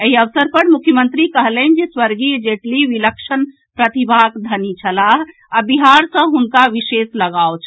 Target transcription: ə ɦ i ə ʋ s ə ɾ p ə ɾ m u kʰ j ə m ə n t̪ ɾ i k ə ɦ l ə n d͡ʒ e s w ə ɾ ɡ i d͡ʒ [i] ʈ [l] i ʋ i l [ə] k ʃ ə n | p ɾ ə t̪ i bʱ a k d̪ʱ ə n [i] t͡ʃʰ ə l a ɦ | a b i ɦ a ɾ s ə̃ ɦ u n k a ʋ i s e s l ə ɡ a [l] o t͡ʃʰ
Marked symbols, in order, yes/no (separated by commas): no, yes, yes, yes, no